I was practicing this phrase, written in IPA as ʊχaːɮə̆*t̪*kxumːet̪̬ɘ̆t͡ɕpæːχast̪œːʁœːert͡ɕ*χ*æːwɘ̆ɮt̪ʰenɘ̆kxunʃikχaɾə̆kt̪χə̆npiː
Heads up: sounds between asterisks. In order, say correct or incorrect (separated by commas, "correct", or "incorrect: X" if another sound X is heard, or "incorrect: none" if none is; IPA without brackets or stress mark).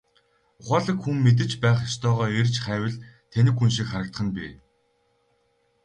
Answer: incorrect: none, correct